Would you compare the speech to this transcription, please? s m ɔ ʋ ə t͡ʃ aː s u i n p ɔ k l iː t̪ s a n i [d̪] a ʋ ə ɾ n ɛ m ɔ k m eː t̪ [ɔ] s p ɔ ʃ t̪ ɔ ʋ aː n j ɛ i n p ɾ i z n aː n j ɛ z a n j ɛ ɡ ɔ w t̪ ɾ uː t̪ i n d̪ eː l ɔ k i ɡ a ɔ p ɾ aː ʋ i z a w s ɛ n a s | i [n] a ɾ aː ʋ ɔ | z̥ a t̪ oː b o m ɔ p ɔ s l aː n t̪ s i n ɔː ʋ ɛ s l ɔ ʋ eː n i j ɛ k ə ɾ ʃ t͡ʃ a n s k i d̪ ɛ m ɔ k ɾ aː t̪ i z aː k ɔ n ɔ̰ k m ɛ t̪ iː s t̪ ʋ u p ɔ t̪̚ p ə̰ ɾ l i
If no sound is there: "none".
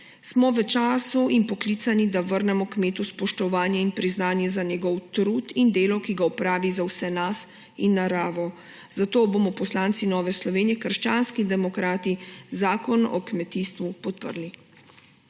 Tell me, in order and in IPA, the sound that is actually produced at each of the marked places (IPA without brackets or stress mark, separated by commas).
d̪, u, nː